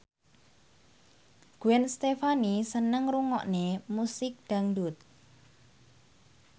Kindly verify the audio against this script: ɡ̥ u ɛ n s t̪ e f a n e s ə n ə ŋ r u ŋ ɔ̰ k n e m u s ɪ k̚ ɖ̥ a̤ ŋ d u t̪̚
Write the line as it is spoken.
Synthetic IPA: ɡ̥ u ɛ n s t̪ e f a n i s ə n ə ŋ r u ŋ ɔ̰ ʔ n e m u s ɪ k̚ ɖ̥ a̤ ŋ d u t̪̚